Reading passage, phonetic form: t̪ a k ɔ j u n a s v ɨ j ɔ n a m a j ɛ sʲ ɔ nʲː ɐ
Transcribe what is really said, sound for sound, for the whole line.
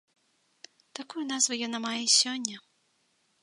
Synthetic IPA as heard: t̪ a k u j u n a z v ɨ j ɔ n a m a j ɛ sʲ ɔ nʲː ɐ